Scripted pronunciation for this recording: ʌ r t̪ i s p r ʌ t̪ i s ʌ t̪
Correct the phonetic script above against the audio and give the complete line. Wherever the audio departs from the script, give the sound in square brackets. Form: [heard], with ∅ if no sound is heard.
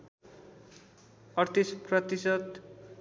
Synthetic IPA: ʌ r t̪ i s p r ʌ t̪ i s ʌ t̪